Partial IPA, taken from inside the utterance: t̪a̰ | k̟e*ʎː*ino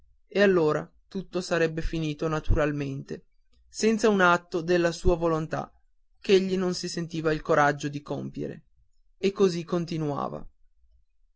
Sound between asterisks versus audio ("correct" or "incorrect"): correct